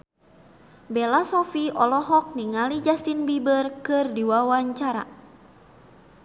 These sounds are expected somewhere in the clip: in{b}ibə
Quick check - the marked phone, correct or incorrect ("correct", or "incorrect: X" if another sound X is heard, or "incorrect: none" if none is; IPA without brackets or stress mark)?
correct